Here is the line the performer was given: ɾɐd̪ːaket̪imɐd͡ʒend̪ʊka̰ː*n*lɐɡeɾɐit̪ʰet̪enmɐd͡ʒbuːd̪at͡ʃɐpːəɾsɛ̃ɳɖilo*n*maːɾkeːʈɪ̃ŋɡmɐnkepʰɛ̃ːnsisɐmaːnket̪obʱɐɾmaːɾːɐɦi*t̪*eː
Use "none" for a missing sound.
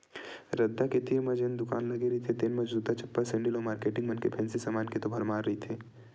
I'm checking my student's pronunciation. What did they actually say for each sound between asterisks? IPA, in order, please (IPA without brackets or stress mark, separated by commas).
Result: n, none, t̪ʰ